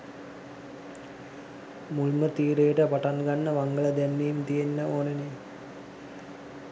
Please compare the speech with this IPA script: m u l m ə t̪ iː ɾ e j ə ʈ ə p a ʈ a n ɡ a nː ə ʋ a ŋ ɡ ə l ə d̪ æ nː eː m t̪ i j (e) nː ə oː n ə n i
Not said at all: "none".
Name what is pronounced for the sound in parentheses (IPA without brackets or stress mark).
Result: e